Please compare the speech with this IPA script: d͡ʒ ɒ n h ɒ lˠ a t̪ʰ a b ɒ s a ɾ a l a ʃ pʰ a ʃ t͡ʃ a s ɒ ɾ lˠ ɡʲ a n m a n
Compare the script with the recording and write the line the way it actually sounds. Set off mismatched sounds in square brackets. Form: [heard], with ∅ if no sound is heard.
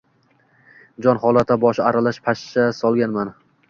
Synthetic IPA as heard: d͡ʒ ɒ n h ɒ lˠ a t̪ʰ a b ɒ [ʃ] a ɾ a l a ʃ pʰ a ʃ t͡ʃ a s ɒ [∅] lˠ ɡʲ a n m a n